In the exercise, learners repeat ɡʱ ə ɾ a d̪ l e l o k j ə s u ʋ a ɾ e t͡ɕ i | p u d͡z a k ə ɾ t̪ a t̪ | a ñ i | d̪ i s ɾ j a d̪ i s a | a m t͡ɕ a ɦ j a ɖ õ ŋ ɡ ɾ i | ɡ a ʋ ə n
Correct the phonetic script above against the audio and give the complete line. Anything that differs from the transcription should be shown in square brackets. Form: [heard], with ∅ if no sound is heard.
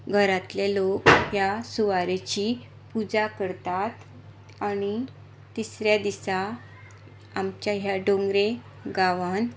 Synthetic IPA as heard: ɡʱ ə ɾ a [t̪] l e l o k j [a] s u ʋ a ɾ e t͡ɕ i | p u d͡z a k ə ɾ t̪ a t̪ | a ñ i | [t̪] i s ɾ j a d̪ i s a | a m t͡ɕ a ɦ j a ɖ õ ŋ ɡ ɾ [e] | ɡ a ʋ [a] n